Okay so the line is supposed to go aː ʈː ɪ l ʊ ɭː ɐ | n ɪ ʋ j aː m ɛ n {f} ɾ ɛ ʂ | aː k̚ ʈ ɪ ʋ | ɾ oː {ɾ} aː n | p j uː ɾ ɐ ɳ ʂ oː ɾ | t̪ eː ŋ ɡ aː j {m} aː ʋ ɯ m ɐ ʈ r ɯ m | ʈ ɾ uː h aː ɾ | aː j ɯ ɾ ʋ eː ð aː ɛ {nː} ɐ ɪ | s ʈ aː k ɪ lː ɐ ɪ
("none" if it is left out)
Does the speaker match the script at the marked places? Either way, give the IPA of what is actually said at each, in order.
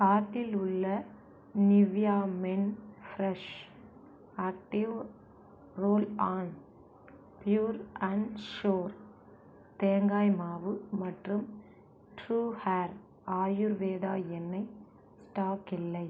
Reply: f, l, m, nː

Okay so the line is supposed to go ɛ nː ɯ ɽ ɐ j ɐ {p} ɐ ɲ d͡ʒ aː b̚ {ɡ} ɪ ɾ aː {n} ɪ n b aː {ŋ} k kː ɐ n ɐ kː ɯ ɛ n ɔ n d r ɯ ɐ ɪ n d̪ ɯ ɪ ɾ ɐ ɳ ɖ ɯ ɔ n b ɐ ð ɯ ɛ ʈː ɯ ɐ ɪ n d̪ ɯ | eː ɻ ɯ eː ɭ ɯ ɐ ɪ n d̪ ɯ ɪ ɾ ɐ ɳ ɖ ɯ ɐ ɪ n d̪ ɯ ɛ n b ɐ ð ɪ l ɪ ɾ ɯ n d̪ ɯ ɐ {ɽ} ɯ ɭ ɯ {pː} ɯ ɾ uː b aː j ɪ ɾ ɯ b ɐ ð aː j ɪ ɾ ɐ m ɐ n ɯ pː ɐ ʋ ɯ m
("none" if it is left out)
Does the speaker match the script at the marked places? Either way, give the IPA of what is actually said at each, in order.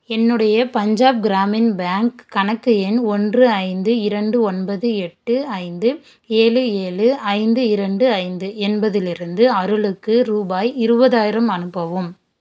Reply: p, ɡ, m, ŋ, ɾ, kː

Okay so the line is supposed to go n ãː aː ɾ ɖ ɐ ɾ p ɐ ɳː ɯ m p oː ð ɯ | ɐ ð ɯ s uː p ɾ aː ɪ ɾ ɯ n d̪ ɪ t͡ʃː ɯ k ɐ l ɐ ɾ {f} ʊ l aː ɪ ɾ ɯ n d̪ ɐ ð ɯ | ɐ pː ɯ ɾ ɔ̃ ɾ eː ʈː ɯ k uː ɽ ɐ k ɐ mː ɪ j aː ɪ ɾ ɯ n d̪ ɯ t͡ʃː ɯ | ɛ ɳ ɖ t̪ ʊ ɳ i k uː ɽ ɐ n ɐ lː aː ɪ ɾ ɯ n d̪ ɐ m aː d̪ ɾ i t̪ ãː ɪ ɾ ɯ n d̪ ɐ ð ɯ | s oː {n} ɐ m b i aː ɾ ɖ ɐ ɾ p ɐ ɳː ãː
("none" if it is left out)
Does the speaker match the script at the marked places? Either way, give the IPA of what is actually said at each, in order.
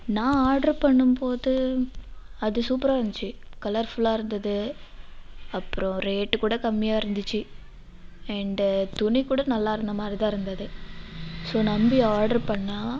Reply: f, n

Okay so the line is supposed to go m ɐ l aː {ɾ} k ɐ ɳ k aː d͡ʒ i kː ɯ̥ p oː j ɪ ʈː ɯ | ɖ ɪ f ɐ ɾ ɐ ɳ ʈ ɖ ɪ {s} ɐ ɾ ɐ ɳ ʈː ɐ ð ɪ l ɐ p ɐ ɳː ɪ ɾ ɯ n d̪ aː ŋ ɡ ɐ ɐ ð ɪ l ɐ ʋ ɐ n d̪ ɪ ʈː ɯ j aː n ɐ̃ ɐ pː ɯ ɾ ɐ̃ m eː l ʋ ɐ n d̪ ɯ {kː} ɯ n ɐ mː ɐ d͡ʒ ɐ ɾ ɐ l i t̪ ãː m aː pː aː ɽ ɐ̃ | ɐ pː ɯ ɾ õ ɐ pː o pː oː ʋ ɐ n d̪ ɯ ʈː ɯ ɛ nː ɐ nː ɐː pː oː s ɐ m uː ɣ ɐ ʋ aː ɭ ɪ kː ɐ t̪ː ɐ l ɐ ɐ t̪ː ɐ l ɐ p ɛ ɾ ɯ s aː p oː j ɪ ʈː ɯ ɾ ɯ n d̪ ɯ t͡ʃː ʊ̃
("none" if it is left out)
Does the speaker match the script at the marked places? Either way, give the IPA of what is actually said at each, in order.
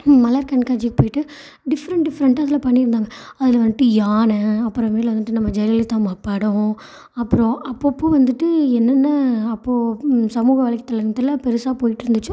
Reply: ɾ, f, ʈː

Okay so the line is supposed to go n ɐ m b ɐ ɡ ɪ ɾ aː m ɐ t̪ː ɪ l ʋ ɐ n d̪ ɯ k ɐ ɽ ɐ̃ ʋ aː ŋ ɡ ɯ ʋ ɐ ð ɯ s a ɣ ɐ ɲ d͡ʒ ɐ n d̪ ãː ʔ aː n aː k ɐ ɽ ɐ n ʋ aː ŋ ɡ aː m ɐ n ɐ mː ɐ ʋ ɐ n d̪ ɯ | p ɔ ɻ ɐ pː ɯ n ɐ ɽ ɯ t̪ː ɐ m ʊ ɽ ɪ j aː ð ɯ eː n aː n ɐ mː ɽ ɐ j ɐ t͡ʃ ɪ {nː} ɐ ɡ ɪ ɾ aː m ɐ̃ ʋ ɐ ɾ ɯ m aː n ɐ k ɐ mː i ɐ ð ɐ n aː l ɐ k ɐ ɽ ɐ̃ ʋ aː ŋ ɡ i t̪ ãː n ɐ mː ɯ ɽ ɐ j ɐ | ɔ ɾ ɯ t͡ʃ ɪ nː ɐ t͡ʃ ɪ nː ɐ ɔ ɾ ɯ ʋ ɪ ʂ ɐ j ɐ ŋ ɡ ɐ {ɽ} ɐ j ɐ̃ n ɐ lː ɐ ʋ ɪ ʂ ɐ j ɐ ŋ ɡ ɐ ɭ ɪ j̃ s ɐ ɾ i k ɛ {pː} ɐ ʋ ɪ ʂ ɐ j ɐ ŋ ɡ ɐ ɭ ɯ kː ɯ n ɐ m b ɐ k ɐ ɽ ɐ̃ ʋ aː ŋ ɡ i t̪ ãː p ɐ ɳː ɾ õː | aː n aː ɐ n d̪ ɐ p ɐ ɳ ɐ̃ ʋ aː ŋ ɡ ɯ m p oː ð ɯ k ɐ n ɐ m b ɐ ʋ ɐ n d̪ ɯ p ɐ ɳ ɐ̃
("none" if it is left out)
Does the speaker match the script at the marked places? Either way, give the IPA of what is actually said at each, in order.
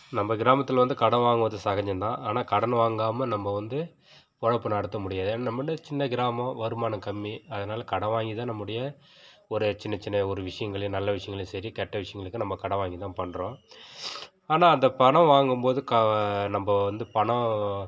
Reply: nː, ɭ, ʈː

